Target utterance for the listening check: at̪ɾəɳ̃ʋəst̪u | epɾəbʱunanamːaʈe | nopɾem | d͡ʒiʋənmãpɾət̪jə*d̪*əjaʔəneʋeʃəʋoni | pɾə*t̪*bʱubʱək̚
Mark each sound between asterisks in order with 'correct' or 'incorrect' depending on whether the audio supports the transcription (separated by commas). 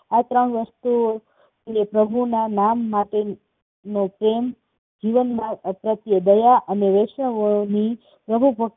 correct, incorrect